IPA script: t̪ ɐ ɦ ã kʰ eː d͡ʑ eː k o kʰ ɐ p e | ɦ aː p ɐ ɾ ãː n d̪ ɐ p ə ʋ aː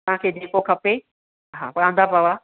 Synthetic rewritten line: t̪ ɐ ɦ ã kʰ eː d͡ʑ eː k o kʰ ɐ p e | ɦ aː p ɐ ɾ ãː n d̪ a p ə ʋ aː

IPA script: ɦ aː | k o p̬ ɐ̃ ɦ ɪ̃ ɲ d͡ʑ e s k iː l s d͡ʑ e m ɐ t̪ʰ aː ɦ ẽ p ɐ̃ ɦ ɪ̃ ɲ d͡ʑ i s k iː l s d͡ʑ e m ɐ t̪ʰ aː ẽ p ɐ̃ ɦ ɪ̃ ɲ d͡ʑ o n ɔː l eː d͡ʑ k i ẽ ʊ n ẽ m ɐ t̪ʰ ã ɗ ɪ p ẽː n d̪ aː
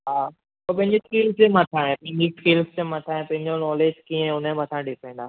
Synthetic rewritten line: ɦ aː | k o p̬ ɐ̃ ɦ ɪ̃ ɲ d͡ʑ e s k iː l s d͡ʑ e m ɐ t̪ʰ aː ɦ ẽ p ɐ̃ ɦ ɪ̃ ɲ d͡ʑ i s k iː l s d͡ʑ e m ɐ t̪ʰ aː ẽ p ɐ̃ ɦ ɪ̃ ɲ d͡ʑ o n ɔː l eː d͡ʑ k i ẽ ʊ n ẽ m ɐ t̪ʰ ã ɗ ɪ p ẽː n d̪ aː

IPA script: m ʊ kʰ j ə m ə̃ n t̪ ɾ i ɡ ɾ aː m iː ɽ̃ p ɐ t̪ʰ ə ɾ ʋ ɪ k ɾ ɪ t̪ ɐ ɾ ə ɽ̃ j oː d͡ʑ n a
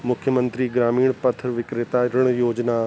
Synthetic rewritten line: m ʊ kʰ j ə m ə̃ n t̪ ɾ i ɡ ɾ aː m iː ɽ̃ p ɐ t̪ʰ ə ɾ ʋ ɪ k ɾ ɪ t̪ a ɾ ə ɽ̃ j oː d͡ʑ n a

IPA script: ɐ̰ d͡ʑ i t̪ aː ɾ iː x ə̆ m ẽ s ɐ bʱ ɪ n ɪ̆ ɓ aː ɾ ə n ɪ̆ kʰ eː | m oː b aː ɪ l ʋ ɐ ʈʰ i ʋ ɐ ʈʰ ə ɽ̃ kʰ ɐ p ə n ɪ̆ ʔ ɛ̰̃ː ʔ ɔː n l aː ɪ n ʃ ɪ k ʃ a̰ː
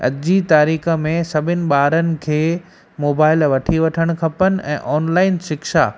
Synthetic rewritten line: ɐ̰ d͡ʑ i t̪ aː ɾ iː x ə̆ m ẽ s ɐ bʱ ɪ n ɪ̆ ɓ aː ɾ ə n ɪ̆ kʰ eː | m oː b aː ɪ l ʋ ɐ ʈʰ i ʋ ɐ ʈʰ ə ɽ̃ kʰ ɐ p ə n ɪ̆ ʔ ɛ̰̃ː ʔ ɔː n l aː ɪ n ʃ ɪ k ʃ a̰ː

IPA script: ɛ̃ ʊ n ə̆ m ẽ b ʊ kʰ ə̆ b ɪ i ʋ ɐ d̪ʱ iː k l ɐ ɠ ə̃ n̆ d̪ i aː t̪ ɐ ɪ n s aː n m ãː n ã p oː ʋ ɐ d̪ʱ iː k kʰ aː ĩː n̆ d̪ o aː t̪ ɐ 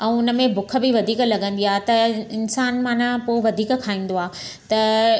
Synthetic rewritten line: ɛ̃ ʊ n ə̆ m ẽ b ʊ kʰ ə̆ b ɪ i ʋ ɐ d̪ʱ iː k l ɐ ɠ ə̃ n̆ d̪ i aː t̪ ɐ ɪ n s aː n m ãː n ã p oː ʋ ɐ d̪ʱ iː k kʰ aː ĩː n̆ d̪ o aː t̪ ɐ

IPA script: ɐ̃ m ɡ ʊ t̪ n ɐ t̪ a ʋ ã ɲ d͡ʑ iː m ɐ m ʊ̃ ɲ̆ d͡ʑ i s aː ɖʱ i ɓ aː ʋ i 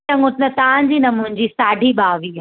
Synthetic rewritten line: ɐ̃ ŋ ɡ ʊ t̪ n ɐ t̪ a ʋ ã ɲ d͡ʑ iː n ɐ m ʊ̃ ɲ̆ d͡ʑ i s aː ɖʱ i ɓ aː ʋ i

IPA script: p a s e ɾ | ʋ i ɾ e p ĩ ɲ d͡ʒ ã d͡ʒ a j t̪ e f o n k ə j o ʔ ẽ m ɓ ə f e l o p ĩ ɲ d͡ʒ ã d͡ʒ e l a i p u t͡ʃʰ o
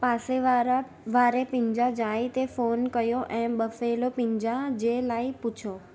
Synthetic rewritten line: p a s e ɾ | ʋ a ɾ e p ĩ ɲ d͡ʒ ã d͡ʒ a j t̪ e f o n k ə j o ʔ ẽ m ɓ ə f e l o p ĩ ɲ d͡ʒ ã d͡ʒ e l a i p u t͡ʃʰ o

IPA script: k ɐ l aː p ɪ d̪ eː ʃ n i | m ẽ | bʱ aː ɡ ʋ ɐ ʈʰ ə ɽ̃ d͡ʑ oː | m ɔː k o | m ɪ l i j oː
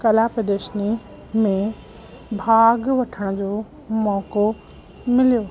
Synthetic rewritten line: k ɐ l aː p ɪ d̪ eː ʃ n i | m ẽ | bʱ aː ɡ ʋ ɐ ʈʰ ə ɽ̃ d͡ʑ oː | m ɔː k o | m ɪ l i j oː

